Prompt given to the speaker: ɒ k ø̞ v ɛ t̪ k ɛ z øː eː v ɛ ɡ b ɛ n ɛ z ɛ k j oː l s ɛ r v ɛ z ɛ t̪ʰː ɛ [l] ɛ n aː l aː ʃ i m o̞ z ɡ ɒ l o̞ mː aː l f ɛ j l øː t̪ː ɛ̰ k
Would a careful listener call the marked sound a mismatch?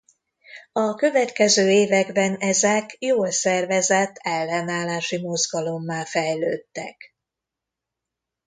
yes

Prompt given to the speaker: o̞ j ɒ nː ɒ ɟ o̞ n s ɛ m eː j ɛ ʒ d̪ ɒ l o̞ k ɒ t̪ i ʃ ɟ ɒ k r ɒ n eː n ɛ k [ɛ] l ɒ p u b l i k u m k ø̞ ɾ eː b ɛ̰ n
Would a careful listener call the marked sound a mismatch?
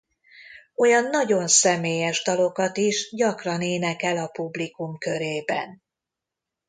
no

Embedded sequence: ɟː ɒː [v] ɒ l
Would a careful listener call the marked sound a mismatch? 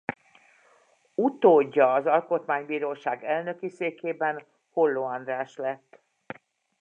yes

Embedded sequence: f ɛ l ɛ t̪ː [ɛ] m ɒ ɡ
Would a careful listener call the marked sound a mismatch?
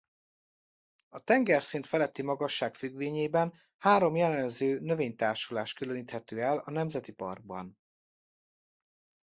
yes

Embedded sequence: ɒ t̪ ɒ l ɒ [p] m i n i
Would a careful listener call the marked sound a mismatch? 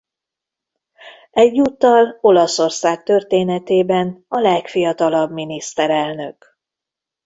yes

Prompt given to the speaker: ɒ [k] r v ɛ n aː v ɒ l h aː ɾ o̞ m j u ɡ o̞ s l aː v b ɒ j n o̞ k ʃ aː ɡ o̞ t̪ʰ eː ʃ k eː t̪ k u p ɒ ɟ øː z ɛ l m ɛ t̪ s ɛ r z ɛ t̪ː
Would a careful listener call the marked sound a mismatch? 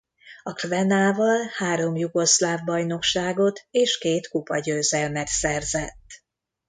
no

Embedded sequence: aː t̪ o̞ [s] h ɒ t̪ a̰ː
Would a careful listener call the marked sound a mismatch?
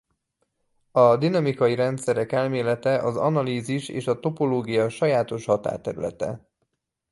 yes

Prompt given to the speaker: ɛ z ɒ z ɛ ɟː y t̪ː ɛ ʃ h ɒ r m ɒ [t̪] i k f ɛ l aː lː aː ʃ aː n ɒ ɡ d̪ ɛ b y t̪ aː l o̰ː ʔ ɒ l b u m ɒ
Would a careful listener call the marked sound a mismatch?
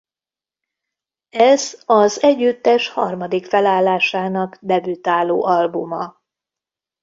yes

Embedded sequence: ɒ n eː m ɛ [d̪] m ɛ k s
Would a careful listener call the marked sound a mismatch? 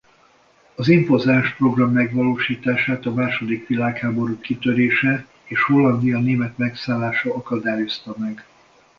yes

